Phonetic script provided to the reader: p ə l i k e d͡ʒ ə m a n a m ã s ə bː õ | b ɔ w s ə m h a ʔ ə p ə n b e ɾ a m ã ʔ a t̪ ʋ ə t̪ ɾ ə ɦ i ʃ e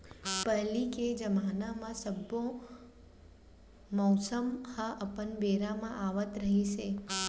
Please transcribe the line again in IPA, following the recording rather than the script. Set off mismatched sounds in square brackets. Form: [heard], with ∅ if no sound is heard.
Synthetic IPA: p ə l i k e d͡ʒ ə m a n a m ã s ə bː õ | [m] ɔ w s ə m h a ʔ ə p ə n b e ɾ a m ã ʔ a [∅] ʋ ə t̪ ɾ ə ɦ i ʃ e